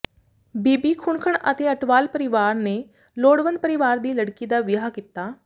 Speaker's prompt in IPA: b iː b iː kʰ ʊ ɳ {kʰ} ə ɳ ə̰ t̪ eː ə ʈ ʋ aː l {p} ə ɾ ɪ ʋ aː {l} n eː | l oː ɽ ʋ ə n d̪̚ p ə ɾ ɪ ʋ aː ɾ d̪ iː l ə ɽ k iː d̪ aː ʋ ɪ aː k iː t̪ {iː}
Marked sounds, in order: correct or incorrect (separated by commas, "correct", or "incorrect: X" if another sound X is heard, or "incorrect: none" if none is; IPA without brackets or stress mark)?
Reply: correct, correct, incorrect: ɾ, incorrect: aː